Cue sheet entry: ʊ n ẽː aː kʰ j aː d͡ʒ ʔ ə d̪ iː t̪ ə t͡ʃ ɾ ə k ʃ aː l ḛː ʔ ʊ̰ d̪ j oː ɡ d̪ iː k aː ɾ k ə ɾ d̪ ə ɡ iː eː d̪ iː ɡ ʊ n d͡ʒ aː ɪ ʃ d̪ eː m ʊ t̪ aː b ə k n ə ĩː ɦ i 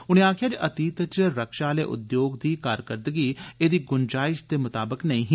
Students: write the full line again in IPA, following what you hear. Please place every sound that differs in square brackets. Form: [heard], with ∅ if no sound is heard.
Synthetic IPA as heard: ʊ n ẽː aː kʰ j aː d͡ʒ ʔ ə [t̪] iː t̪ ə t͡ʃ ɾ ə k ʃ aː l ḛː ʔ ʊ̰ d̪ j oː ɡ d̪ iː k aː ɾ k ə ɾ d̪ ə ɡ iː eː d̪ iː ɡ ʊ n d͡ʒ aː ɪ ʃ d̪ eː m ʊ t̪ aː b ə k n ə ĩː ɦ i